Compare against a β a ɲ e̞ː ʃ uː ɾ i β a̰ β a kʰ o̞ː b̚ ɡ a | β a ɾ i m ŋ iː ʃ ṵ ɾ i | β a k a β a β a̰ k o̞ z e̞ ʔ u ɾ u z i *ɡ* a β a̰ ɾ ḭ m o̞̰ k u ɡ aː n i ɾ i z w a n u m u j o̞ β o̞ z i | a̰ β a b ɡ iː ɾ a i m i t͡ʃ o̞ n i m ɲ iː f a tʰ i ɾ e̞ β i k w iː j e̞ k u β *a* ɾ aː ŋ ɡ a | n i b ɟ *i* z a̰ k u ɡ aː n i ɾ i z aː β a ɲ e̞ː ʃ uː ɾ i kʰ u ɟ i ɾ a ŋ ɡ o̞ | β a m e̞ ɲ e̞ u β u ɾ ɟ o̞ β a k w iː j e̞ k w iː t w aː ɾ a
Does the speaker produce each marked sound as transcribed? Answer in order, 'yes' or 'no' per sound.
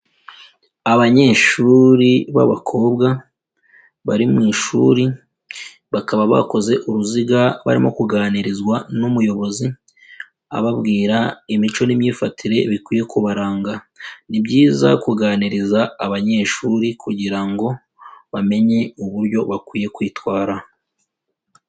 yes, yes, no

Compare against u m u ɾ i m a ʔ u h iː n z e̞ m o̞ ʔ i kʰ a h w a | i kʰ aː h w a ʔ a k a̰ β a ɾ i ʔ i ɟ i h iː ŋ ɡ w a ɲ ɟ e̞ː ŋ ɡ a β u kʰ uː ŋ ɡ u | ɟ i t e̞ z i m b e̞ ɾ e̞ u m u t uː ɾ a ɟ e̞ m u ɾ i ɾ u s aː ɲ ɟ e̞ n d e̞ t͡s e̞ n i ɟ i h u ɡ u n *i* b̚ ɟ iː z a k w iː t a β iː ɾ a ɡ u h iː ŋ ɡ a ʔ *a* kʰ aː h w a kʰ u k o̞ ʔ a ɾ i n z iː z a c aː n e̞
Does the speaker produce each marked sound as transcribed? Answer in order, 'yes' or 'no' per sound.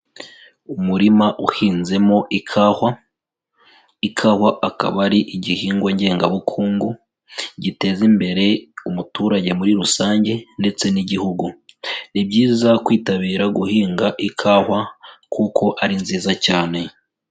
yes, no

